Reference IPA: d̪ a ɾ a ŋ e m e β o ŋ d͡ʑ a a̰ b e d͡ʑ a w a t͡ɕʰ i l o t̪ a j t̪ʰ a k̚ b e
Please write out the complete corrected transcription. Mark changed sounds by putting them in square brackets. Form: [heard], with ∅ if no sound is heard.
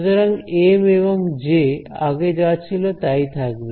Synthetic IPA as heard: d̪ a ɾ a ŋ e m e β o ŋ d͡ʑ [e] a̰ [ɡ] e d͡ʑ a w a t͡ɕʰ i l o t̪ a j t̪ʰ a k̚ b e

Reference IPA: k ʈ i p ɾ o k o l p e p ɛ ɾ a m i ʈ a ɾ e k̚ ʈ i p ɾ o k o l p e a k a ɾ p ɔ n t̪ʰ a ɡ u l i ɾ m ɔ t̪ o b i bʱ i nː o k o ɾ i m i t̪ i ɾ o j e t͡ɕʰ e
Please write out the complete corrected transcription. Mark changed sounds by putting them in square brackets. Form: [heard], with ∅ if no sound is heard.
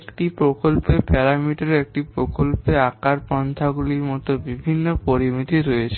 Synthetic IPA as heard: k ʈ i p ɾ o k o l p e p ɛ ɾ a m i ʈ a ɾ e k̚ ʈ i p ɾ o k o l p e a k a ɾ p ɔ n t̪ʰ a ɡ u l i ɾ m ɔ t̪ o b i bʱ i nː o [p] o ɾ i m i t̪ i ɾ o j e t͡ɕʰ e

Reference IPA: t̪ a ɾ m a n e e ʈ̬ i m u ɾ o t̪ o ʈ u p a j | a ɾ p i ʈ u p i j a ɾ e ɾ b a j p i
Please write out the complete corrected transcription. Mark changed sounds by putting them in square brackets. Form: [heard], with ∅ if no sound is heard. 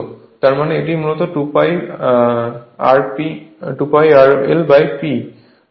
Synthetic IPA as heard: t̪ a ɾ m a n e e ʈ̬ i m u [l] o t̪ o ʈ u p a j | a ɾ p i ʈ u p [a] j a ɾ e [l] b a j p i

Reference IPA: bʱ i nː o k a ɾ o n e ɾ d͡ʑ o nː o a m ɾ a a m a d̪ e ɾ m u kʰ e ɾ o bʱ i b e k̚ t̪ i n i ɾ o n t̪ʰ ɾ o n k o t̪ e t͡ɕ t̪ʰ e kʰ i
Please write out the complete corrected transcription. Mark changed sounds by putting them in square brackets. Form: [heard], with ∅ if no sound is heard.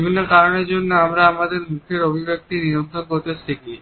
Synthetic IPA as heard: bʱ i nː o k a ɾ o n e ɾ d͡ʑ o nː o a m ɾ a a m a d̪ e ɾ m u kʰ e ɾ o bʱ i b e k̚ t̪ i n i ɾ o n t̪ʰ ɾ o n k o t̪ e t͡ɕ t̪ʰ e [k] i

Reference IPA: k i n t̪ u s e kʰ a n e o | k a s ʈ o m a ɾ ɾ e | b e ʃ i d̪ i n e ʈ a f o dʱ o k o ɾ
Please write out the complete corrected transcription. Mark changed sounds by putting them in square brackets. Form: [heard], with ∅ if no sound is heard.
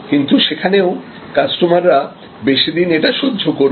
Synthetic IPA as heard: k i n t̪ u [ʃ] e kʰ a n e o | k a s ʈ o m a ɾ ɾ [a] | b e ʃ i d̪ i n e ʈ a [ʃ] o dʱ o k o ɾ

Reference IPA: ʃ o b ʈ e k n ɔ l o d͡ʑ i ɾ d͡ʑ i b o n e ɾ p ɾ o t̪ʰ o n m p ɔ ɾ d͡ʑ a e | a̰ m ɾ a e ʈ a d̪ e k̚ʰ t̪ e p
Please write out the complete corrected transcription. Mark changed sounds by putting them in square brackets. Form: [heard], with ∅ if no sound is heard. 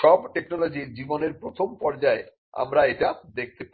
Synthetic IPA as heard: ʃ [ɔ] b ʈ e k n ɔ l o d͡ʑ i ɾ d͡ʑ i b o n e ɾ p ɾ o t̪ʰ o [∅] m p ɔ ɾ d͡ʑ a e | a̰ m ɾ a e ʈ a d̪ e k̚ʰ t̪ e p

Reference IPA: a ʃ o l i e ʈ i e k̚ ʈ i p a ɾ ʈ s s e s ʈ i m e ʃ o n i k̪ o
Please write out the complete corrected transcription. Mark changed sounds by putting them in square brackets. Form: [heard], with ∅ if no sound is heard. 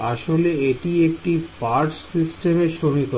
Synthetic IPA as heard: a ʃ o l [e] e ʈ i e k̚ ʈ i p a ɾ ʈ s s [i] s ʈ [e] m e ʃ o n i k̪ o

